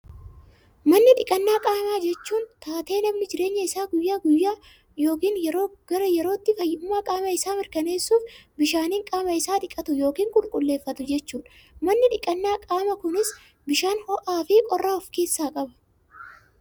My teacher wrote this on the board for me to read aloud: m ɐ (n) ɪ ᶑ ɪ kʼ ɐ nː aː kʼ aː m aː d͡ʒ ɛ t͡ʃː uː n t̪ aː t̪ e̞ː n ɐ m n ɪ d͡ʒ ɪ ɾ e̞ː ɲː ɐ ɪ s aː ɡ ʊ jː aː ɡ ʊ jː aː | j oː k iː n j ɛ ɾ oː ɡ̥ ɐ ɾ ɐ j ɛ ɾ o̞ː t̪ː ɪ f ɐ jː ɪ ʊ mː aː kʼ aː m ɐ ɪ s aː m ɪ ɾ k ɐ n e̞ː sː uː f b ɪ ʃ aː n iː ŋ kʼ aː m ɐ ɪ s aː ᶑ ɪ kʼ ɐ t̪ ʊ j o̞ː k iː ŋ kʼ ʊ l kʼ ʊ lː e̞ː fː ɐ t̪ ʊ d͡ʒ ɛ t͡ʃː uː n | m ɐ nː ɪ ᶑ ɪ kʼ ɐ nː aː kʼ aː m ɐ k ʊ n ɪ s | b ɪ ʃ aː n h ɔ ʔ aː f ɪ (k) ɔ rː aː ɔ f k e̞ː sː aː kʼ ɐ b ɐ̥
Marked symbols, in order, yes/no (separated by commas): no, no